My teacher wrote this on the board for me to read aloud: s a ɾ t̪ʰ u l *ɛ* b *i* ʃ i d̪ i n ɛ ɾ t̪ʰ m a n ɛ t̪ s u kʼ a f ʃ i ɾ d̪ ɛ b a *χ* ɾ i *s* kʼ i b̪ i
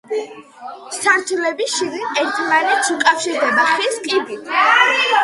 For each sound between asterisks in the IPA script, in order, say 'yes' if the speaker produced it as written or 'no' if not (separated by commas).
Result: yes, yes, yes, yes